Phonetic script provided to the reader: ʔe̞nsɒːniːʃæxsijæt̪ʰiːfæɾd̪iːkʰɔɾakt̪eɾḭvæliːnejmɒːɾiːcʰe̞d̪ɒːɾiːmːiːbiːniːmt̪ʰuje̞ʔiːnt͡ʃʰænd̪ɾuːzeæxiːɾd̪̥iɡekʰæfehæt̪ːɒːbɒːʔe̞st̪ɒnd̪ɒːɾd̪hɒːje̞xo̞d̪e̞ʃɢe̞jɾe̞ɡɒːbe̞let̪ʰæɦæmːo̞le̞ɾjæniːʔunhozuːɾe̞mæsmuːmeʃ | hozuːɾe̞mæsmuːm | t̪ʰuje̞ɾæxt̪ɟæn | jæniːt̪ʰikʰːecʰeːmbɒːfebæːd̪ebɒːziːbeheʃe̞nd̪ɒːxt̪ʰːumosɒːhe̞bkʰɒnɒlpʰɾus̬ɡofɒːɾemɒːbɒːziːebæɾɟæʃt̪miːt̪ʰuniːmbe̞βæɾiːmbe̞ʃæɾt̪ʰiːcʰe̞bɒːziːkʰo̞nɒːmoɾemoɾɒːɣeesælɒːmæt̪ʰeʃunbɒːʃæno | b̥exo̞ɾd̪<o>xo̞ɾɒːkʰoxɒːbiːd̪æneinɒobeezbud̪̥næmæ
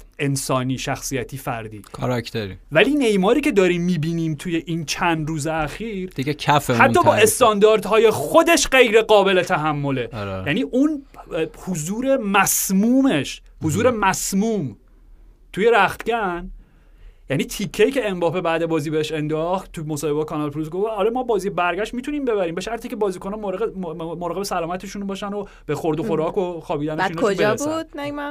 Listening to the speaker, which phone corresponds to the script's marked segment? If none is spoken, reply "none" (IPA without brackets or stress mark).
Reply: o